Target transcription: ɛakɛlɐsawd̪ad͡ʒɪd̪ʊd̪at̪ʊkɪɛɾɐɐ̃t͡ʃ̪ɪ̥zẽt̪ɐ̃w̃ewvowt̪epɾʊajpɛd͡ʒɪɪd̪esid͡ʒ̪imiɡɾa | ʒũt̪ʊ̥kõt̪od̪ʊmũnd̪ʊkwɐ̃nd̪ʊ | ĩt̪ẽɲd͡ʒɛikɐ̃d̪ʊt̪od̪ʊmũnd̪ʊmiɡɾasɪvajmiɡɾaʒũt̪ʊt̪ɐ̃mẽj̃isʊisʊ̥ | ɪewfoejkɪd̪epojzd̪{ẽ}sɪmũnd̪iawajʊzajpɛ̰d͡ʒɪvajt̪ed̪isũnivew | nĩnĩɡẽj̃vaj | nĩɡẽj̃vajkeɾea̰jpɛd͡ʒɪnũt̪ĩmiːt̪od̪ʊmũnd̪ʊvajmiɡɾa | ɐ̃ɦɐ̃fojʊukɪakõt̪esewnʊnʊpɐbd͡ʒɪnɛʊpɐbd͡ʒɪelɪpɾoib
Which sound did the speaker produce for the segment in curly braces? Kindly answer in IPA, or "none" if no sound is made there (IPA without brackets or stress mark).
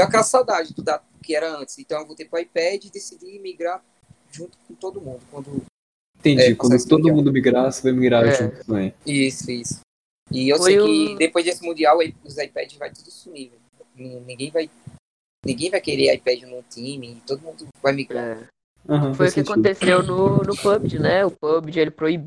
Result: e